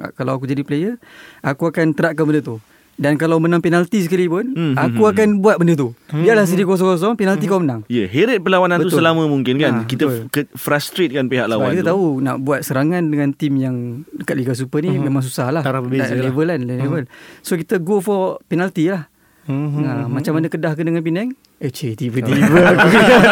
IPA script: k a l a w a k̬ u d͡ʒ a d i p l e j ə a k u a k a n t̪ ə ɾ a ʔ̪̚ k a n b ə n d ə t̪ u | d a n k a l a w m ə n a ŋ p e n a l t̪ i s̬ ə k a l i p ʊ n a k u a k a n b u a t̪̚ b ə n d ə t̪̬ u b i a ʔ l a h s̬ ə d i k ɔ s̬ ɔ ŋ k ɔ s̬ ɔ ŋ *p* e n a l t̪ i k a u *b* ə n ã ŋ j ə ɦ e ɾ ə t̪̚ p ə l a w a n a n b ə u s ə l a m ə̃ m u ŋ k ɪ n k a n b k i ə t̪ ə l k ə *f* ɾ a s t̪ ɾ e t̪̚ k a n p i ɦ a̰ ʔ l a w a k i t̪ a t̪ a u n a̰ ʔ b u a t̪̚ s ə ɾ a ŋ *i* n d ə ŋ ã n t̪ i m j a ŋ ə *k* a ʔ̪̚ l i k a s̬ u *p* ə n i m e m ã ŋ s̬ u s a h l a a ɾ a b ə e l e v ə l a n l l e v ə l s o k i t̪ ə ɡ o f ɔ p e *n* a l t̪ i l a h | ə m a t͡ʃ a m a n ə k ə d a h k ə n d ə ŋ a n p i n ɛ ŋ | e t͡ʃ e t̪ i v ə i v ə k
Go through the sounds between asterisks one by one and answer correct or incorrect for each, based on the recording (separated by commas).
correct, incorrect, correct, incorrect, correct, correct, correct